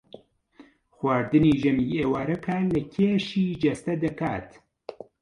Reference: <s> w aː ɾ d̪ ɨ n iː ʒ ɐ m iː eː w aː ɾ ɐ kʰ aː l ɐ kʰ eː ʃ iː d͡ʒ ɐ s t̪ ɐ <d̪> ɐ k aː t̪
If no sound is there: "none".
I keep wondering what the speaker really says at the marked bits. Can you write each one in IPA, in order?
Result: x, d̪

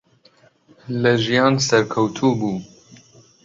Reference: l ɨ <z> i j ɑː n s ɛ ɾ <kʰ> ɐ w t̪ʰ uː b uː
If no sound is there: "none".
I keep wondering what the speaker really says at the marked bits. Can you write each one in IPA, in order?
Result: ʒ, kʰ

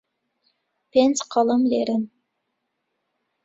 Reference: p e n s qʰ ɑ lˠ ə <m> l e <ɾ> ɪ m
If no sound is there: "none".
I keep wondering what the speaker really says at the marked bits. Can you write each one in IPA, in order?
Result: m, ɾ

